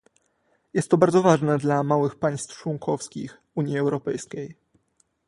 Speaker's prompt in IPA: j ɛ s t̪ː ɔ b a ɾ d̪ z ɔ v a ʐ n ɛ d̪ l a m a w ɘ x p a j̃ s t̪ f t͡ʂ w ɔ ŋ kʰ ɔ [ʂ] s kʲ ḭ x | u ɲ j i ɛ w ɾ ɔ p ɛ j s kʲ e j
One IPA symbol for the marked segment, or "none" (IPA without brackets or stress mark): f